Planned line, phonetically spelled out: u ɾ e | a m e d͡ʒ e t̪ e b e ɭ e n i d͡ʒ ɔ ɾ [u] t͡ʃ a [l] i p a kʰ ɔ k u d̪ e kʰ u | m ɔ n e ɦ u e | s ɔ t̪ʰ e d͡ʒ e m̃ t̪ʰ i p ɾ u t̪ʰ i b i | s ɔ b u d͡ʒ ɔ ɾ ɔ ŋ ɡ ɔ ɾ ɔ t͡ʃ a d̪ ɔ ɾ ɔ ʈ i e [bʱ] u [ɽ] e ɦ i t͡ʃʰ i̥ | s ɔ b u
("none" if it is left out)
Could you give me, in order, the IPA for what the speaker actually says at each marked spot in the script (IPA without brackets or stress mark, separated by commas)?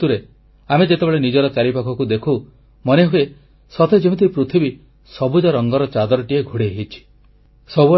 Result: ɔ, ɾ, ɡʱ, ɽ